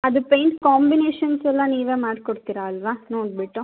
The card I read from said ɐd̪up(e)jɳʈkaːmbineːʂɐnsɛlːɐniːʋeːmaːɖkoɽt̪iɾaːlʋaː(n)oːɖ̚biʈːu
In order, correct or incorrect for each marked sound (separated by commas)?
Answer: correct, correct